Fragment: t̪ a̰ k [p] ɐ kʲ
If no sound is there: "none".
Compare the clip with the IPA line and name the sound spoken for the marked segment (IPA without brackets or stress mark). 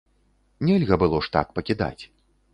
p